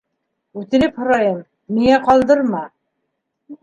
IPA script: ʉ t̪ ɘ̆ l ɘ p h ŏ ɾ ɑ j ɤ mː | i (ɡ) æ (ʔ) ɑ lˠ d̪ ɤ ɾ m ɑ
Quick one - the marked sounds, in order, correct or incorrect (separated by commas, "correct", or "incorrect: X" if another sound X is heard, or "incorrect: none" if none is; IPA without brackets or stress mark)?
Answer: incorrect: ŋ, incorrect: q